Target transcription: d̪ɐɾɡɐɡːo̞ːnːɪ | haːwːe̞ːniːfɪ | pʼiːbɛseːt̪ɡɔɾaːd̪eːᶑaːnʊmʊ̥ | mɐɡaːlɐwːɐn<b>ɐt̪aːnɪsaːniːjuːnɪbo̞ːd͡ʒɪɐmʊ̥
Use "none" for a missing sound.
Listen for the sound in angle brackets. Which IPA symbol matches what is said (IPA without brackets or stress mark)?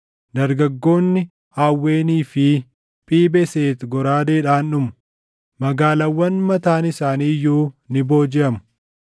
m